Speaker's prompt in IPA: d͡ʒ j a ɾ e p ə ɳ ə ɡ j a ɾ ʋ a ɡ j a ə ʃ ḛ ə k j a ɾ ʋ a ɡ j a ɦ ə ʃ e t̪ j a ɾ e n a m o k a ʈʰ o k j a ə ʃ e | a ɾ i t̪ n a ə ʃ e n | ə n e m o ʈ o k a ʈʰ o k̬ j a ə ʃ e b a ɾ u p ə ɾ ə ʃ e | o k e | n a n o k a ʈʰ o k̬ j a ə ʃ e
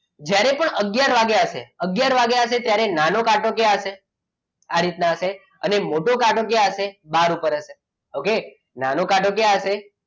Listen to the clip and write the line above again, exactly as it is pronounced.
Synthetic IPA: d͡ʒ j a ɾ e p ə ɳ ə ɡ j a ɾ ʋ a ɡ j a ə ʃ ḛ ə ɡ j a ɾ ʋ a ɡ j a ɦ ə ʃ e t̪ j a ɾ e n a n o k a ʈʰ o k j a ə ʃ e | a ɾ i t̪ n a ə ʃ e | ə n e m o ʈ o k a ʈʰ o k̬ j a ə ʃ e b a ɾ u p ə ɾ ə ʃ e | o k e | n a n o k a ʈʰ o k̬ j a ə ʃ e